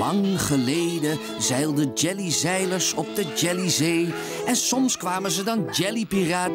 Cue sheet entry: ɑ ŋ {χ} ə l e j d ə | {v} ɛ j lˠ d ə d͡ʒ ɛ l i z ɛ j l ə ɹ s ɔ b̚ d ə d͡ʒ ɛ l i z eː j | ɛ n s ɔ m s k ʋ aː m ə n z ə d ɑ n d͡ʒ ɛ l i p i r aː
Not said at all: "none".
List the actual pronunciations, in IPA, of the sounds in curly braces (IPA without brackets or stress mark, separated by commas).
χ, z